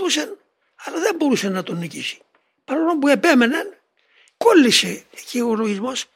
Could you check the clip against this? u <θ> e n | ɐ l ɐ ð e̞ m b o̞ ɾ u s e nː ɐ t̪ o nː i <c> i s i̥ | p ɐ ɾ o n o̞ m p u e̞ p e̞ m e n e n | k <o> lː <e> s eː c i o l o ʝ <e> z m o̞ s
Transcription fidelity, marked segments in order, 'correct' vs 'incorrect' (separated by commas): incorrect, correct, correct, incorrect, incorrect